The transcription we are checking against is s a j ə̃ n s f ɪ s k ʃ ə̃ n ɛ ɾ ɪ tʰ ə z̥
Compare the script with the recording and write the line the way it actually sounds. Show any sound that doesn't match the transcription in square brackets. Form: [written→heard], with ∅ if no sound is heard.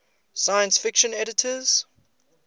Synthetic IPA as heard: s a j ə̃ n s f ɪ [s→∅] k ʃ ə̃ n ɛ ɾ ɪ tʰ ə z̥